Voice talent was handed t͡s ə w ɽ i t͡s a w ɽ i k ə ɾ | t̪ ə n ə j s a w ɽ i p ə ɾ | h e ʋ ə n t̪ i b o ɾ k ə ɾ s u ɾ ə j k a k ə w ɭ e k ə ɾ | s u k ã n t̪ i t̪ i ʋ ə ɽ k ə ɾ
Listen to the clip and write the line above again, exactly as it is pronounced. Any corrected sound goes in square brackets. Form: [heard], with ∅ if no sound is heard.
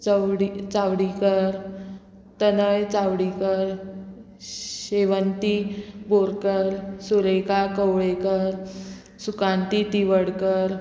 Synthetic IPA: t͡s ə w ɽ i t͡s a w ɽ i k ə ɾ | t̪ ə n ə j [t͡s] a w ɽ i [k] ə ɾ | [ɕ] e ʋ ə n t̪ i b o ɾ k ə ɾ s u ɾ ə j k a k ə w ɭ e k ə ɾ | s u k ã n t̪ i t̪ i ʋ ə ɽ k ə ɾ